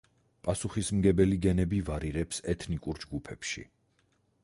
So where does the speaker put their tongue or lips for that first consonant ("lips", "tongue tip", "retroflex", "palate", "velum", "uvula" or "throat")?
lips